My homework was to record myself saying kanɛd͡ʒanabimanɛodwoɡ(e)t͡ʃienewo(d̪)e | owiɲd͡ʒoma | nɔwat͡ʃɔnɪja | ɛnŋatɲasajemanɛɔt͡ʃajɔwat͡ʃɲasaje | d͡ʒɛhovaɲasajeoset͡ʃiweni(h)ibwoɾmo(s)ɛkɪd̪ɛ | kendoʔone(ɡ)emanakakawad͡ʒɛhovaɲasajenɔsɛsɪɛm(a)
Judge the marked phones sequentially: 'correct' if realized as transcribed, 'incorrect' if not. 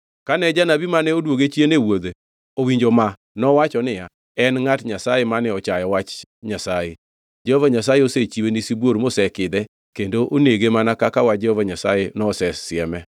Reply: correct, correct, incorrect, correct, correct, incorrect

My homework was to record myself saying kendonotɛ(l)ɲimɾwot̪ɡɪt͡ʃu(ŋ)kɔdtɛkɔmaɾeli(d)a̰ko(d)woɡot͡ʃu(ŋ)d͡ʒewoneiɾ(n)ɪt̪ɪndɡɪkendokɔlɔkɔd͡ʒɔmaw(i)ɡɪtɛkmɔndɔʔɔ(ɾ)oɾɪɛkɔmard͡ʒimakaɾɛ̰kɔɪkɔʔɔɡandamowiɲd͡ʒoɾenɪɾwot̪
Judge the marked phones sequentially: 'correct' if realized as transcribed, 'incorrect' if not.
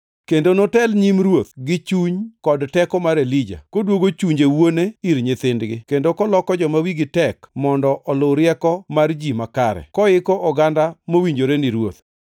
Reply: correct, incorrect, incorrect, correct, incorrect, incorrect, correct, incorrect

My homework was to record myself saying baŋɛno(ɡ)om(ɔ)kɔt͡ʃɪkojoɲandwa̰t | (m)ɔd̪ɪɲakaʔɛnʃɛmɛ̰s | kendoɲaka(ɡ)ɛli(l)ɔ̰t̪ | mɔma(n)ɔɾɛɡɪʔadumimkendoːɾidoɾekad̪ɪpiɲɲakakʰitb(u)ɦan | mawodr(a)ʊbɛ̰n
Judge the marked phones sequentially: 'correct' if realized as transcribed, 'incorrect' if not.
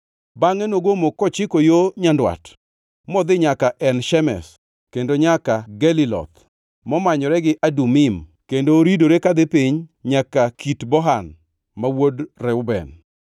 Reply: correct, incorrect, correct, correct, correct, incorrect, incorrect, incorrect

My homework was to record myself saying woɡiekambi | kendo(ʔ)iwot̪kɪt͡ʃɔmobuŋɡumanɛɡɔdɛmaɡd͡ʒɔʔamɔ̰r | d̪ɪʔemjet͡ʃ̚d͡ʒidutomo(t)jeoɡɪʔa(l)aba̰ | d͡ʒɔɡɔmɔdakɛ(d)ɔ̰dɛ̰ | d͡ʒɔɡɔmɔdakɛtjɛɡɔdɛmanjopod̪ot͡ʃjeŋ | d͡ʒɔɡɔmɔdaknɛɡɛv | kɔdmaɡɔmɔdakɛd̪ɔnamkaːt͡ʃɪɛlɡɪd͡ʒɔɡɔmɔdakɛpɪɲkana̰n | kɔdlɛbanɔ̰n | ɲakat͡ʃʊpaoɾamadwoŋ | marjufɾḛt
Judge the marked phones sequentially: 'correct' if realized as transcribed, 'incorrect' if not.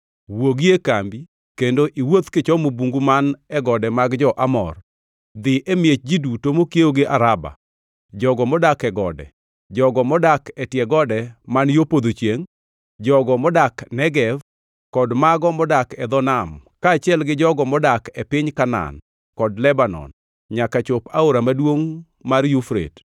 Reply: correct, incorrect, incorrect, incorrect

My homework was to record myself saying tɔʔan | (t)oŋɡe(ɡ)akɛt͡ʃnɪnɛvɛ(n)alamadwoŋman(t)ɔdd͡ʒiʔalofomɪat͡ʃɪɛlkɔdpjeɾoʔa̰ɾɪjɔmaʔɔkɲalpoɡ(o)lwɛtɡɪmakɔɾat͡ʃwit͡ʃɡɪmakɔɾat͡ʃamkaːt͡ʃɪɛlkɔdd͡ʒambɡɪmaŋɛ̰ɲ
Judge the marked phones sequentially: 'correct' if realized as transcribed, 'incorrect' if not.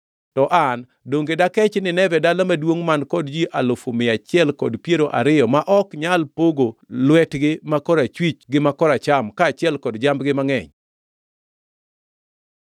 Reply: incorrect, incorrect, incorrect, incorrect, correct

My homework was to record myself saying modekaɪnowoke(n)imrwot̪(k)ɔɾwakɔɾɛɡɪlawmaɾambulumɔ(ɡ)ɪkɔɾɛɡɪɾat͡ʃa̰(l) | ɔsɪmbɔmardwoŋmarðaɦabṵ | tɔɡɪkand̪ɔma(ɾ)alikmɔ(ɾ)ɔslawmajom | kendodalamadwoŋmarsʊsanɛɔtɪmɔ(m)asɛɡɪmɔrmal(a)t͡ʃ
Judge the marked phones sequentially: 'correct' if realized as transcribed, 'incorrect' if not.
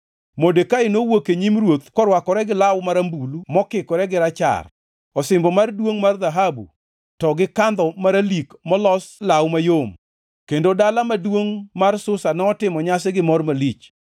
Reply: incorrect, correct, incorrect, incorrect, correct, incorrect, incorrect, incorrect

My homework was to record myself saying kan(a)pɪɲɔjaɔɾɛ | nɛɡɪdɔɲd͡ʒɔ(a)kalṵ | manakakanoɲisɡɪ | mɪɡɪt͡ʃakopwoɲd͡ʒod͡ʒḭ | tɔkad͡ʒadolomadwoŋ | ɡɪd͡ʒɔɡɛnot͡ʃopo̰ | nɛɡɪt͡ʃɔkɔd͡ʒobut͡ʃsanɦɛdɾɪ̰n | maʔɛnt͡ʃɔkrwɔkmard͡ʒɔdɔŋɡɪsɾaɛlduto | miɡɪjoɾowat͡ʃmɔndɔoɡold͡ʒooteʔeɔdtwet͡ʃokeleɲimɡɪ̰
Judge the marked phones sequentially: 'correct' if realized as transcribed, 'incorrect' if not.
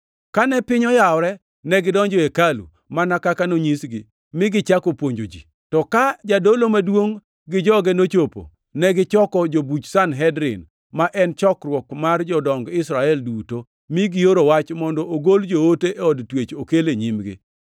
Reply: incorrect, incorrect

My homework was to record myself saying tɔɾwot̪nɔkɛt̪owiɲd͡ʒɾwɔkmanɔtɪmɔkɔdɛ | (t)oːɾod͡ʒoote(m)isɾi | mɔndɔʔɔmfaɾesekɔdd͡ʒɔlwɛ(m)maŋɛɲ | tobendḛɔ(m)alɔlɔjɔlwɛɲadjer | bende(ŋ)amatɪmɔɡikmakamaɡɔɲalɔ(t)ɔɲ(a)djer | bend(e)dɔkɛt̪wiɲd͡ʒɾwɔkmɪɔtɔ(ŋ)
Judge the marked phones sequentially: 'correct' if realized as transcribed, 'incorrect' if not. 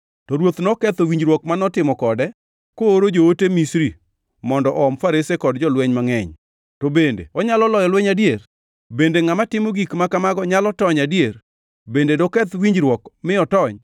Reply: incorrect, correct, incorrect, incorrect, correct, correct, correct, correct, incorrect

